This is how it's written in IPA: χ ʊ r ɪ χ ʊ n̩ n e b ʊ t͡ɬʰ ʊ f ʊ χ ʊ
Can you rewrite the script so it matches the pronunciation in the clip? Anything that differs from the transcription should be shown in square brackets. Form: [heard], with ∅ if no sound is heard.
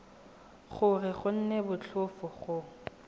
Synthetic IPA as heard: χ ʊ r ɪ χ ʊ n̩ n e b ʊ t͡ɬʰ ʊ f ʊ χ ʊ

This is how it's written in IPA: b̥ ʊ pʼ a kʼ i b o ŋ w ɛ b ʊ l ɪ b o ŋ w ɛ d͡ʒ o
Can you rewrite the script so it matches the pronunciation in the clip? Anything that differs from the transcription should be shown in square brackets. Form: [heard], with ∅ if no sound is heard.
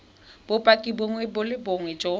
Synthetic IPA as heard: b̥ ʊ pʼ a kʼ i b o ŋ w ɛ b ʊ l ɪ b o ŋ w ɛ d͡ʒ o

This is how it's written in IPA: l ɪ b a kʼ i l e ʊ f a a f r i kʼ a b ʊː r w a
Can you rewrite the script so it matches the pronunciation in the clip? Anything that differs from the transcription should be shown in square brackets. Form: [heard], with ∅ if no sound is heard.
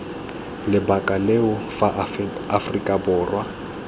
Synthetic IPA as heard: l ɪ b a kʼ [a] l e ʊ f a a f r i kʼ a b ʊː r w a

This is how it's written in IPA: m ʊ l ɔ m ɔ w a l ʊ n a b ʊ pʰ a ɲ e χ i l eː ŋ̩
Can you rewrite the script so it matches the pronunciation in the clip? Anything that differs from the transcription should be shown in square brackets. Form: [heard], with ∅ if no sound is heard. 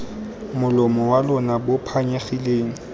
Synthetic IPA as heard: m ʊ l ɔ m ɔ w a l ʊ n a b ʊ pʰ a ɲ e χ i l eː ŋ̩

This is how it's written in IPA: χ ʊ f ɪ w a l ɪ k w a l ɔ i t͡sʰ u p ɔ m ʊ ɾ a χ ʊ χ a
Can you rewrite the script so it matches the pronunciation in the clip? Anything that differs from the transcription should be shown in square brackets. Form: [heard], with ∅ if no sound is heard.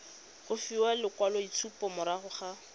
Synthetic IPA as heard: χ ʊ f [i] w a l ɪ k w a l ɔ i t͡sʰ u p ɔ m ʊ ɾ a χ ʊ χ a

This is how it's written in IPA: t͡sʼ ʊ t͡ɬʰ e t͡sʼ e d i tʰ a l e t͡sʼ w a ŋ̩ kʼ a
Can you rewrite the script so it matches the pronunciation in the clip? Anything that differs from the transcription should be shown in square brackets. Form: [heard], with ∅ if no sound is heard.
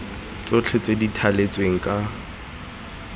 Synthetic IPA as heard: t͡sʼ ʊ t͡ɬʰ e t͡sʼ e d i tʰ a l e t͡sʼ w [e] ŋ̩ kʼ a

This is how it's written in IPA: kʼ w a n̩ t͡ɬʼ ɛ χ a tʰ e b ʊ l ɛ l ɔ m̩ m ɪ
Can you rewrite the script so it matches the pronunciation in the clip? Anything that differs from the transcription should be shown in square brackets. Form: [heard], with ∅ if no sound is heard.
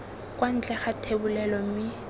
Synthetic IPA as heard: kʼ w a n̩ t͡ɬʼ ɛ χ a tʰ e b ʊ l ɛ l ɔ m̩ m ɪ

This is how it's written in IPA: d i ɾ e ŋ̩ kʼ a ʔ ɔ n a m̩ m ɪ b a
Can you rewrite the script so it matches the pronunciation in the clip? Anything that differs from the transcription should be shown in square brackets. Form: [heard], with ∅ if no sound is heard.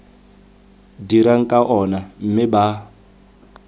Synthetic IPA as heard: d i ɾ [a] ŋ̩ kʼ a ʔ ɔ n a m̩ m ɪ b a

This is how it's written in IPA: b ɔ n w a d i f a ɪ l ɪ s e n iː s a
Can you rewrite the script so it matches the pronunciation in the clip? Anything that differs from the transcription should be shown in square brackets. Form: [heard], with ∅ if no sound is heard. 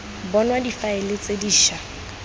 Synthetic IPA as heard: b ɔ n w a d i f a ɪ l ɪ [t͡s] e [d] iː [ʃ] a

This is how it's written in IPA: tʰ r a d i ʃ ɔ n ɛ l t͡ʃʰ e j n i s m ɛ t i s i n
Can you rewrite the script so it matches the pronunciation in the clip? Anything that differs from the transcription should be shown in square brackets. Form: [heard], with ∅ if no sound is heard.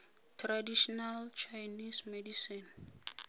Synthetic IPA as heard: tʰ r a d i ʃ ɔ n [a] l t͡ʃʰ [a] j n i s m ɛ [d] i s i n

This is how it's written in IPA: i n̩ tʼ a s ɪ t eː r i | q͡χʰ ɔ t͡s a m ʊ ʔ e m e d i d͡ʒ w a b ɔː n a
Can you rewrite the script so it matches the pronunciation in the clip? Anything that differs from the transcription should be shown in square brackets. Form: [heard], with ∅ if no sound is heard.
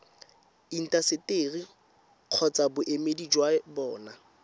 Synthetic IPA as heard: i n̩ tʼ a s ɪ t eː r i | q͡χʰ ɔ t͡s a [b] ʊ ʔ e m e d i d͡ʒ w a b ɔː n a

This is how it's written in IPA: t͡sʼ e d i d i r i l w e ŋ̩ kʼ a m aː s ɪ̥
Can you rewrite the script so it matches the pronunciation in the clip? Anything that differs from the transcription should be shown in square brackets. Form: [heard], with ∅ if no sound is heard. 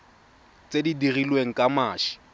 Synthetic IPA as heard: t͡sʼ e d i d i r i l w e ŋ̩ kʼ a m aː [ʃ] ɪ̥

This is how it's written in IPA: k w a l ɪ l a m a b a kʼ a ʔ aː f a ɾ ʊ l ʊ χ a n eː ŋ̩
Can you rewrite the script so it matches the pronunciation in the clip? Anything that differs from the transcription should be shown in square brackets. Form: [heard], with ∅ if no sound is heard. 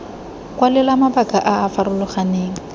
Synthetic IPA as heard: k w a l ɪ l a m a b a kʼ a ʔ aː f a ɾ ʊ l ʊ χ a n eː ŋ̩

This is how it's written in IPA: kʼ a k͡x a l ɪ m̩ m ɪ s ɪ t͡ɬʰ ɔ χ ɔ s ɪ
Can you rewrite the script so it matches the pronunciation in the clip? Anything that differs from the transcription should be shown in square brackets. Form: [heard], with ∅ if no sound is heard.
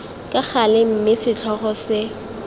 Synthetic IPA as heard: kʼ a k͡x a l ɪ m̩ m ɪ s ɪ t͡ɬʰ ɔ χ ɔ s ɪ

